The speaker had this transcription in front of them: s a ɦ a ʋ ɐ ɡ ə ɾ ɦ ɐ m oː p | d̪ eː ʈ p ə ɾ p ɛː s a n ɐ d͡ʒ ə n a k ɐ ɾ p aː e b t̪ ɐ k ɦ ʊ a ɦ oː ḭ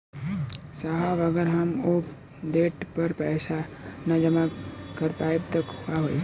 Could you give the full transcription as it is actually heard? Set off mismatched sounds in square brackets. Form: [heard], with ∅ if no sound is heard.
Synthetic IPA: s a ɦ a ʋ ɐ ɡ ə ɾ ɦ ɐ m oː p | d̪ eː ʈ p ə ɾ p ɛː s a n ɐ d͡ʒ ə [m] a k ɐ ɾ p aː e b t̪ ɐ k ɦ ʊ a ɦ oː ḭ